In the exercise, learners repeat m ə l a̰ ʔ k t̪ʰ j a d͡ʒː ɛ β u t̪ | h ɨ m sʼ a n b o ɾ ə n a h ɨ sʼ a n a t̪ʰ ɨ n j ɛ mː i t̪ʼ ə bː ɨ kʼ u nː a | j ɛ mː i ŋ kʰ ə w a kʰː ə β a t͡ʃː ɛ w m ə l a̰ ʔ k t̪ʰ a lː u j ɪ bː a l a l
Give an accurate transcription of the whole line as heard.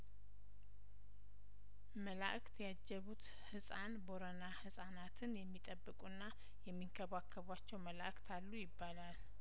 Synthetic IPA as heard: m ə l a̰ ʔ k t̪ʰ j a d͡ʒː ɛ β u t̪ | h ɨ sʼ a n b o ɾ ə n a h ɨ sʼ a n a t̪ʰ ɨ n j ɛ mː i t̪ʼ ə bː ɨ kʼ u nː a | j ɛ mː i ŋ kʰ ə β a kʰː ə β a t͡ʃː ɛ w m ə l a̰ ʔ k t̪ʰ a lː u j ɪ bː a l a l